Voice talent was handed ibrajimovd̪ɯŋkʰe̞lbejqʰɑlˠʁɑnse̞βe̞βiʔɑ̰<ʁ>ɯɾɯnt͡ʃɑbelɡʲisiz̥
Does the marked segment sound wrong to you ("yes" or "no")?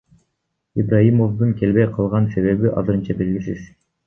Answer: yes